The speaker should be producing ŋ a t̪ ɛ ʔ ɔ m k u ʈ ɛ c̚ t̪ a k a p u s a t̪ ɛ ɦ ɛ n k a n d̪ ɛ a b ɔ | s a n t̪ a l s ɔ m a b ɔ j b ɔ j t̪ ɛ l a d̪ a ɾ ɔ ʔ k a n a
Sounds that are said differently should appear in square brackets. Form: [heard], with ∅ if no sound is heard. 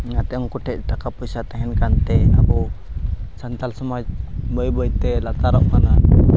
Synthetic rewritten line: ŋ a t̪ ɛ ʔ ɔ [ŋ] k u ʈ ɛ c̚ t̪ a k a p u s a t̪ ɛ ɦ ɛ n k a n [t̪] ɛ a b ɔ | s a n t̪ a l s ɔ m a b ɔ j b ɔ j t̪ ɛ l a [t̪] a ɾ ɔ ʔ k a n a